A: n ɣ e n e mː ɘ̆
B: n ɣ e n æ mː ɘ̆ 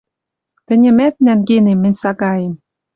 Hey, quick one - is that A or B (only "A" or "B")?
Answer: A